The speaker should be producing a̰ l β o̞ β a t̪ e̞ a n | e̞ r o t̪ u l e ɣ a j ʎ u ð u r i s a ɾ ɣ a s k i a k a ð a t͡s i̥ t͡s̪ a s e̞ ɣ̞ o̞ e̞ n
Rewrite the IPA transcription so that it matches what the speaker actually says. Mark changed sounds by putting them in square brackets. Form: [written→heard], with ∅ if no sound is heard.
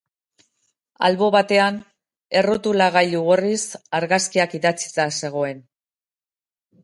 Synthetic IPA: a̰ l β o̞ β a t̪ e̞ a n | e̞ r o t̪ u l [e→a] ɣ a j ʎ u [ð→ɣ] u r i s a ɾ ɣ a s k i a k [a→i] ð a t͡s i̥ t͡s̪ a s e̞ ɣ̞ o̞ e̞ n

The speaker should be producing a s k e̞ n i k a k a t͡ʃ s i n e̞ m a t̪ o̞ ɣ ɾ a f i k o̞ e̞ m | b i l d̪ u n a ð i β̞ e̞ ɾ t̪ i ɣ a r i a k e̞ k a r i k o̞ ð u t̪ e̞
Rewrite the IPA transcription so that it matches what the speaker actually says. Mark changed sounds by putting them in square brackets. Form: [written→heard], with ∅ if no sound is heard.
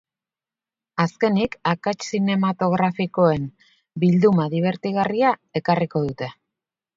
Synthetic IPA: a s k e̞ n i k a k a t͡ʃ s i n e̞ m a t̪ o̞ ɣ ɾ a f i k o̞ e̞ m | b i l d̪ u [n→m] a ð i β̞ e̞ ɾ t̪ i ɣ a r i a [k→∅] e̞ k a r i k o̞ ð u t̪ e̞

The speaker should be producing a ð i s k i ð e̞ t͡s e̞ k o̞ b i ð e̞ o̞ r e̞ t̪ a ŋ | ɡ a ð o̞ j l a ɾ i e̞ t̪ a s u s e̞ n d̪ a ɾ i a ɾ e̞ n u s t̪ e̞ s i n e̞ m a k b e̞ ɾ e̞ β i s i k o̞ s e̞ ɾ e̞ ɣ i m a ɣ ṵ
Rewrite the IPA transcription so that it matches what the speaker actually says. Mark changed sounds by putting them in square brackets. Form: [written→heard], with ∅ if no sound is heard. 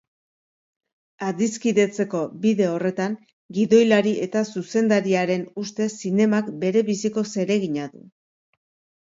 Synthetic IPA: a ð i s k i ð e̞ t͡s e̞ k o̞ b i ð e̞ o̞ r e̞ t̪ a ŋ | ɡ [a→i] ð o̞ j l a ɾ i e̞ t̪ a s u s e̞ n d̪ a ɾ i a ɾ e̞ n u s t̪ e̞ s i n e̞ m a k b e̞ ɾ e̞ β i s i k o̞ s e̞ ɾ e̞ ɣ i [m→ɲ] a [ɣ→ð] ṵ

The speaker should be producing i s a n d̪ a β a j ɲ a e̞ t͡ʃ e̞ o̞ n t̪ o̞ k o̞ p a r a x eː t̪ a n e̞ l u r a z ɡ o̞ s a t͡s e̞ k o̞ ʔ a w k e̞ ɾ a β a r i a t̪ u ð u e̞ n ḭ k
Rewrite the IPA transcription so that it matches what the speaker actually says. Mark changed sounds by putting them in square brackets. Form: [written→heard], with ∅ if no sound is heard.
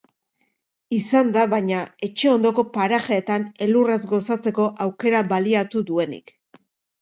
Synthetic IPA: i s a n d̪ a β a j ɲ a e̞ t͡ʃ e̞ o̞ n [t̪→d̪] o̞ k o̞ p a [r→ɾ] a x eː t̪ a n e̞ l u r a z ɡ o̞ s a t͡s e̞ k o̞ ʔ a w k e̞ ɾ a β a [r→l] i a t̪ u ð u e̞ n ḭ k

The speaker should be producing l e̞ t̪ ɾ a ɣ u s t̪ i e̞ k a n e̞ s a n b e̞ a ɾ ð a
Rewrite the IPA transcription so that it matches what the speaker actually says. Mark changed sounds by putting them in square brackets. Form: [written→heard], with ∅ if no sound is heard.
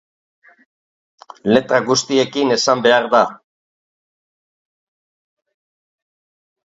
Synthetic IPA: l e̞ t̪ ɾ a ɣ u s t̪ i e̞ k [a→i] n e̞ s a [n→m] b e̞ a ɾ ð a

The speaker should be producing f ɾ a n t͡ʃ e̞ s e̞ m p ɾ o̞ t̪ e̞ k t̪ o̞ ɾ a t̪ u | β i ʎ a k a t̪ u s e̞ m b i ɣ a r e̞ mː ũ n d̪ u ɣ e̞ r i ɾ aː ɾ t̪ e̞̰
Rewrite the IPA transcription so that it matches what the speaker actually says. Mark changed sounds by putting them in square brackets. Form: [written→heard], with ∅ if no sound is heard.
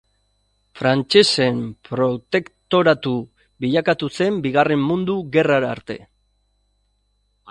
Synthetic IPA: f ɾ a n t͡ʃ e̞ s e̞ m p ɾ o̞ t̪ e̞ k t̪ o̞ ɾ a t̪ u | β i ʎ a k a t̪ u s e̞ m b i ɣ a r e̞ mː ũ n d̪ u ɣ e̞ r [i→a] ɾ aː ɾ t̪ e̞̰

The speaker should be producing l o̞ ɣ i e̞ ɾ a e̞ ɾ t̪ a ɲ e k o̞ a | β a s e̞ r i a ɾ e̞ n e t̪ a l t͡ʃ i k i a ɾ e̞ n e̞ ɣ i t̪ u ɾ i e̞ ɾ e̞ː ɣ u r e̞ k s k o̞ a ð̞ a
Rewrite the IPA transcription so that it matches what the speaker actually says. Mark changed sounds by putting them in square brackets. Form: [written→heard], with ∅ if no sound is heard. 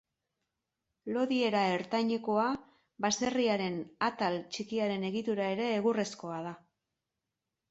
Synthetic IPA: l o̞ [ɣ→ð] i e̞ ɾ a e̞ ɾ t̪ a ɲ e k o̞ a | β a s e̞ r i a ɾ e̞ n [e→a] t̪ a l t͡ʃ i k i a ɾ e̞ n e̞ ɣ i t̪ u ɾ [i→a] e̞ ɾ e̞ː ɣ u r e̞ [k→∅] s k o̞ a ð̞ a

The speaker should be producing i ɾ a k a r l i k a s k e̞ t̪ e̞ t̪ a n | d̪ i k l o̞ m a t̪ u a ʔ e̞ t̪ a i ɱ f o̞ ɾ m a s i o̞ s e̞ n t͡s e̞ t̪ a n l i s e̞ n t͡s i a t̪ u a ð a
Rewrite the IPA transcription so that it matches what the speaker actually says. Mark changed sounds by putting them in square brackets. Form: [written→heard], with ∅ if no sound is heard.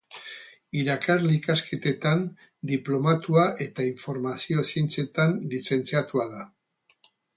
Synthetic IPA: i ɾ a k a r l i k a s k e̞ t̪ e̞ t̪ a n | d̪ i [k→p] l o̞ m a t̪ u a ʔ e̞ t̪ a i ɱ f o̞ ɾ m a s i o̞ s e̞ n t͡s e̞ t̪ a n l i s e̞ n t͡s i a t̪ u a ð a

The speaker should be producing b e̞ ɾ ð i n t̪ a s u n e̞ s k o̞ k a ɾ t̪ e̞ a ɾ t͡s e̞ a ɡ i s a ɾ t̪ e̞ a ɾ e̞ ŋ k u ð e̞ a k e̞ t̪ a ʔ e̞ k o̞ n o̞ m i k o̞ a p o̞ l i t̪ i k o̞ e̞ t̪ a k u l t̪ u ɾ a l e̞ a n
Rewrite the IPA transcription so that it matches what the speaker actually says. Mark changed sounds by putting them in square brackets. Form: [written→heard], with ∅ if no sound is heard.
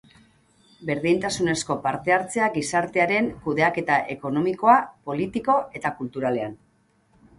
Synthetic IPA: b e̞ ɾ ð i n t̪ a s u n e̞ s k o̞ [k→p] a ɾ t̪ e̞ a ɾ t͡s e̞ a ɡ i s a ɾ t̪ e̞ a ɾ e̞ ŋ k u ð e̞ a k e̞ t̪ a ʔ e̞ k o̞ n o̞ m i k o̞ a p o̞ l i t̪ i k o̞ e̞ t̪ a k u l t̪ u ɾ a l e̞ a n

